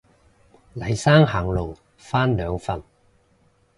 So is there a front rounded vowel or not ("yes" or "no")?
yes